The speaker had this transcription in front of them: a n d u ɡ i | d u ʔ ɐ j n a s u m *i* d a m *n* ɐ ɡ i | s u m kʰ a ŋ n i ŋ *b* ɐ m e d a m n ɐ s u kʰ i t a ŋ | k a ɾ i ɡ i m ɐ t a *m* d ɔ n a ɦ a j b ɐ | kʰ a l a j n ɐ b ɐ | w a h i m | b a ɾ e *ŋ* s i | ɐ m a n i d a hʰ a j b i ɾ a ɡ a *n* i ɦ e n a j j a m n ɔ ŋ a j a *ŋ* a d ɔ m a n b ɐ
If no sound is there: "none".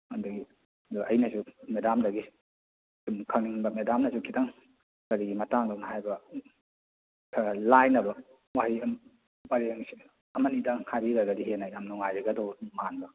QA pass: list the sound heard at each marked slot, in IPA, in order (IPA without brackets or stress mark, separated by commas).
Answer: e, d, b, ŋ, ŋ, d, ɡ